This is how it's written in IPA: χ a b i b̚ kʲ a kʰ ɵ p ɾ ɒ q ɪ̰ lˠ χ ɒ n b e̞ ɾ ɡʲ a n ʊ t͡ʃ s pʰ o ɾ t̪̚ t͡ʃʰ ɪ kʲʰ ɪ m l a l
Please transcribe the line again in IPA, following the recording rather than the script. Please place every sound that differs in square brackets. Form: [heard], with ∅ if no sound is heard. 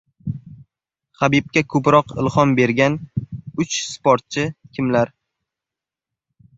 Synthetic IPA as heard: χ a b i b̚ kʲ a kʰ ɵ p ɾ ɒ q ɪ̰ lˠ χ ɒ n b e̞ ɾ ɡʲ a n ʊ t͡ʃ s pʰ o ɾ t̪̚ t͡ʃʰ ɪ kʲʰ ɪ m l a [ɾ]